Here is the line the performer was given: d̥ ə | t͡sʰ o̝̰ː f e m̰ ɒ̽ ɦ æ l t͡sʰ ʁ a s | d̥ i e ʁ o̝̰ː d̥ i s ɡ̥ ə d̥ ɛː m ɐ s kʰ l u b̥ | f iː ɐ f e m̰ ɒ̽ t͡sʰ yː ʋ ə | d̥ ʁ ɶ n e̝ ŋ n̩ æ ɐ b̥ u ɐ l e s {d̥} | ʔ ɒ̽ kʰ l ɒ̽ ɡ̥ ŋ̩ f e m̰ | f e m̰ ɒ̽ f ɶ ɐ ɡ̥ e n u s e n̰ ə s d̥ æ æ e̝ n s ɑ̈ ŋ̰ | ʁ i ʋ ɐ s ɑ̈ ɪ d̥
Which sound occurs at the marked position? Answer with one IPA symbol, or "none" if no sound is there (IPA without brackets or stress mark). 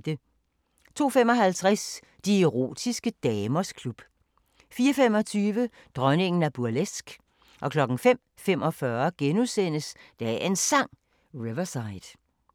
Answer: ɡ̥